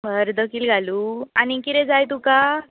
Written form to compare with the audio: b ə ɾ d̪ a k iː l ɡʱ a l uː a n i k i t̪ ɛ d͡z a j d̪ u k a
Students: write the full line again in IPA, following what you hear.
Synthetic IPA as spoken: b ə ɾ d̪ ə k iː l ɡʱ a l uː a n i k i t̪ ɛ d͡z a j t̪ u k a

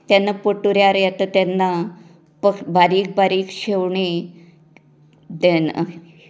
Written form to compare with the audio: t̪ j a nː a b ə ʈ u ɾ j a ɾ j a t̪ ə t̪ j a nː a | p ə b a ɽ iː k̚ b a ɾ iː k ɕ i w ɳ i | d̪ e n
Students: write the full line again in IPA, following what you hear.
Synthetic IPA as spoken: t̪ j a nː a p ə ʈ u ɾ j a ɾ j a t̪ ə t̪ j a nː a | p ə b a ɾ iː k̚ b a ɾ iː k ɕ e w ɳ i | d̪ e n

